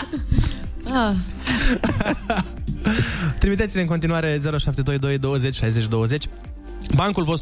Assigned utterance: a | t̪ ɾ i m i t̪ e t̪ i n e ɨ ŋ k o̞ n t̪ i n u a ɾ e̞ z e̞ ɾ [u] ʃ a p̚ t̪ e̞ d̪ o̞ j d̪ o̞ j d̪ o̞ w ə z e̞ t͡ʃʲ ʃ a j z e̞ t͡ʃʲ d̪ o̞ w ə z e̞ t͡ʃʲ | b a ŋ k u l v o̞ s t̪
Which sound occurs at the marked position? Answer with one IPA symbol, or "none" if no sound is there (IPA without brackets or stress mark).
o